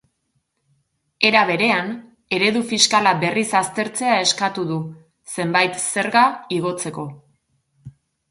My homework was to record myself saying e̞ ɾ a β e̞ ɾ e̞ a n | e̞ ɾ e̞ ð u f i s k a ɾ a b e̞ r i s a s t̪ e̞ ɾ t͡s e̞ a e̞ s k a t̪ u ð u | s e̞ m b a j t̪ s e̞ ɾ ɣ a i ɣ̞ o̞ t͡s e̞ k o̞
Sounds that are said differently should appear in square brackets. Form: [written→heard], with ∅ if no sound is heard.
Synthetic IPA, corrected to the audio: e̞ ɾ a β e̞ ɾ e̞ a n | e̞ ɾ e̞ ð u f i s k a [ɾ→l] a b e̞ r i s a s t̪ e̞ ɾ t͡s e̞ a e̞ s k a t̪ u ð u | s e̞ m b a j t̪ s e̞ ɾ ɣ a i ɣ̞ o̞ t͡s e̞ k o̞

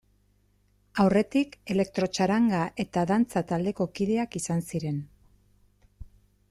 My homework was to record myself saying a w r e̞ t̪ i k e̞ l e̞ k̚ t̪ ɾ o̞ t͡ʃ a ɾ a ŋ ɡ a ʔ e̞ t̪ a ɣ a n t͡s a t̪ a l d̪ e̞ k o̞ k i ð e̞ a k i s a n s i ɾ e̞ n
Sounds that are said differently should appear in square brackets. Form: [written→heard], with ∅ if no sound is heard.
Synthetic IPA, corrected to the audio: a w r e̞ t̪ i k e̞ l e̞ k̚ t̪ ɾ o̞ t͡ʃ a ɾ a ŋ ɡ a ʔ e̞ t̪ a [ɣ→ð] a n t͡s a t̪ a l d̪ e̞ k o̞ k i ð e̞ a k i s a n s i ɾ e̞ n

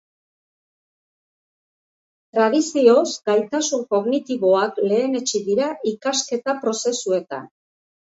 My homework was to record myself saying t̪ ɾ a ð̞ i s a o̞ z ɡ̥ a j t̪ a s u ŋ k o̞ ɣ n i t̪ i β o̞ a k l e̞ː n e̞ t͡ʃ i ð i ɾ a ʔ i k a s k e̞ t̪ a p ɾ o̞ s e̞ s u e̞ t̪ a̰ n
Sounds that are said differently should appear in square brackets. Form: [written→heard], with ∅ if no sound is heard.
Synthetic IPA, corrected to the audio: t̪ ɾ a ð̞ i s [a→i] o̞ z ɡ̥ a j t̪ a s u ŋ k o̞ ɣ n i t̪ i β o̞ a k l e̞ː n e̞ t͡ʃ i ð i ɾ a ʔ i k a s k e̞ t̪ a p ɾ o̞ s e̞ s u e̞ t̪ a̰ n

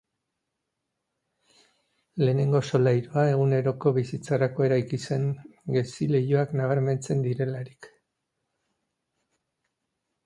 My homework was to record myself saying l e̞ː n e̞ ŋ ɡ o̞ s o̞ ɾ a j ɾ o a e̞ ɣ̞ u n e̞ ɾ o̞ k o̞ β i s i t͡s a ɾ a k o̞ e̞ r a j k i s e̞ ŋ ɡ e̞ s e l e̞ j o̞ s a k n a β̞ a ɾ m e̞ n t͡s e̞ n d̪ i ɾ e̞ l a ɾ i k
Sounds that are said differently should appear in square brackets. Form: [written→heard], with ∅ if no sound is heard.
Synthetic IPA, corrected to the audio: l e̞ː n e̞ ŋ ɡ o̞ s o̞ [ɾ→l] a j ɾ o a e̞ ɣ̞ u n e̞ ɾ o̞ k o̞ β i s i t͡s a ɾ a k o̞ e̞ [r→ɾ] a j k i s e̞ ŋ ɡ e̞ s [e→i] l e̞ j o̞ [s→∅] a k n a β̞ a ɾ m e̞ n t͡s e̞ n d̪ i ɾ e̞ l a ɾ i k

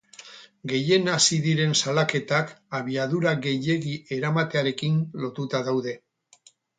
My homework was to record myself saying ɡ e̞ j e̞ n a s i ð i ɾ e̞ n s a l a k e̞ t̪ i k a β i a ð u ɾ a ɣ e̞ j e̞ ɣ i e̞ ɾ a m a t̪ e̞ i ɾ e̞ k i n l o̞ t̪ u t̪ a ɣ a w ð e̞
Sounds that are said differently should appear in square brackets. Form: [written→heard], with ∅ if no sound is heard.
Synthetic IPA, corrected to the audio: ɡ e̞ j e̞ n a s i ð i ɾ e̞ n s a l a k e̞ t̪ [i→a] k a β i a ð u ɾ a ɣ e̞ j e̞ ɣ i e̞ ɾ a m a t̪ e̞ [i→a] ɾ e̞ k i n l o̞ t̪ u t̪ a [ɣ→ð] a w ð e̞

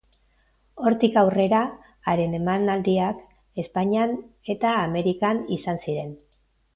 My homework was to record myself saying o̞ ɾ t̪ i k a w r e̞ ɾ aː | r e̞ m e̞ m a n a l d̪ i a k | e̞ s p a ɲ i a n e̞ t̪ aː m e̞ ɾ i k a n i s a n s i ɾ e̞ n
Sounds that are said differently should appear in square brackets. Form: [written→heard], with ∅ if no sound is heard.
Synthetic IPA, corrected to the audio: o̞ ɾ t̪ i k a w r e̞ ɾ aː | [r→ɾ] e̞ [m→n] e̞ m a n a l d̪ i a k | e̞ s p a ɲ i a n e̞ t̪ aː m e̞ ɾ i k a n i s a n s i ɾ e̞ n

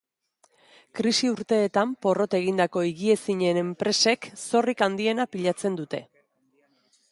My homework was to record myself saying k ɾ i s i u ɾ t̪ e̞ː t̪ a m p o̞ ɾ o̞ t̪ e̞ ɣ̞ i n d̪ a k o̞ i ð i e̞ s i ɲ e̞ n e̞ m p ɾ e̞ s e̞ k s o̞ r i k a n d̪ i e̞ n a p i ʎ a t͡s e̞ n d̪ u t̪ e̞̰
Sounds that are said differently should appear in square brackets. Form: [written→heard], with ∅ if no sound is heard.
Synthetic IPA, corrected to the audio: k ɾ i s i u ɾ t̪ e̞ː t̪ a m p o̞ [ɾ→r] o̞ t̪ e̞ ɣ̞ i n d̪ a k o̞ i [ð→ɣ] i e̞ s i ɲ e̞ n e̞ m p ɾ e̞ s e̞ k s o̞ r i k a n d̪ i e̞ n a p i ʎ a t͡s e̞ n d̪ u t̪ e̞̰

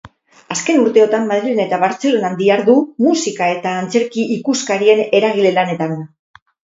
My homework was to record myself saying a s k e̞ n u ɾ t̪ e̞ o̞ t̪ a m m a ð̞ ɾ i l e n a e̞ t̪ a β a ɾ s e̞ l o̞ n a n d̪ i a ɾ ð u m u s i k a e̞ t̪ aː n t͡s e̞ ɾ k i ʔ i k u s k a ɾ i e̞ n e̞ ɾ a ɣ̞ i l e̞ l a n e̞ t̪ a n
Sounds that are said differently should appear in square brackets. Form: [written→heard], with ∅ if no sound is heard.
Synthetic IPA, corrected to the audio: a s k e̞ n u ɾ t̪ e̞ o̞ t̪ a m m a ð̞ ɾ i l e n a e̞ t̪ a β a ɾ [s→t͡s] e̞ l o̞ n a n d̪ i a ɾ ð u m u s i k a e̞ t̪ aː n t͡s e̞ ɾ k i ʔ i k u s k a ɾ i e̞ n e̞ ɾ a ɣ̞ i l e̞ l a n e̞ t̪ a n

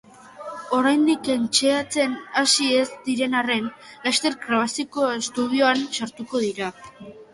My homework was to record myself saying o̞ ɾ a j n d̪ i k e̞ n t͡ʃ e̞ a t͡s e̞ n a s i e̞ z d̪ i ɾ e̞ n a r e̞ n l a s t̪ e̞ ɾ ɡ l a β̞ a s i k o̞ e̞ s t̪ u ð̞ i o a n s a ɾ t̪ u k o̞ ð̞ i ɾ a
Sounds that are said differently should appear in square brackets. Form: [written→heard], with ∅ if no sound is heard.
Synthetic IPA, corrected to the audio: o̞ ɾ a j n d̪ i k e̞ n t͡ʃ e̞ a t͡s e̞ n a s i e̞ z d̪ i ɾ e̞ n a r e̞ n l a s t̪ e̞ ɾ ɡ [l→ɾ] a β̞ a s i k o̞ e̞ s t̪ u ð̞ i o a n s a ɾ t̪ u k o̞ ð̞ i ɾ a

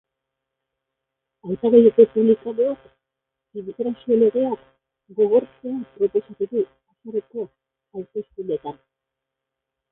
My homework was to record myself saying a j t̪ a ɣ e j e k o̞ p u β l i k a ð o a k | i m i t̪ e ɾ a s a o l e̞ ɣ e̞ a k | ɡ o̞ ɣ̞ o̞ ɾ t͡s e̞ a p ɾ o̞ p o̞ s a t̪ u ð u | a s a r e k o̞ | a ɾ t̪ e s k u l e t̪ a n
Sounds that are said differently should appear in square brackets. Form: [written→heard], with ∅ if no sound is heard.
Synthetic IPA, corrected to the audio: a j t̪ a ɣ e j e k o̞ p u β l i k a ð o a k | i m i t̪ e ɾ a s [a→i] o l e̞ ɣ e̞ a k | ɡ o̞ ɣ̞ o̞ ɾ t͡s e̞ a p ɾ o̞ p o̞ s a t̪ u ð u | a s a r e k o̞ | a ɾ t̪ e s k u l e t̪ a n

